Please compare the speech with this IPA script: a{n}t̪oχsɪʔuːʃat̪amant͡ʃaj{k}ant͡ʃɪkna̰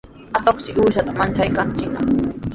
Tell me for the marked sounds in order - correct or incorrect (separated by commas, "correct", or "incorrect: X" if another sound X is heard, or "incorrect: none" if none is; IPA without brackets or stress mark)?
incorrect: none, correct